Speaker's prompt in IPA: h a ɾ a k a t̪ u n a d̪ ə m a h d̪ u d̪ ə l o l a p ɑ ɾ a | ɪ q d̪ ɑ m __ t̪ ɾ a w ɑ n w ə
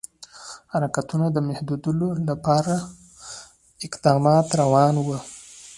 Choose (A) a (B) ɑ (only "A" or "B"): B